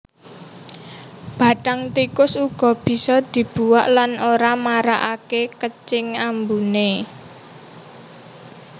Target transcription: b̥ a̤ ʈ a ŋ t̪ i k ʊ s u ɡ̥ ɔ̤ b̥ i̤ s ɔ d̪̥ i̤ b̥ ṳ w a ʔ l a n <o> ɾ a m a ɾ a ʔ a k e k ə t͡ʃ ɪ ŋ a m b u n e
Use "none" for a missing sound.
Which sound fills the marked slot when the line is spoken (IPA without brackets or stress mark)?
o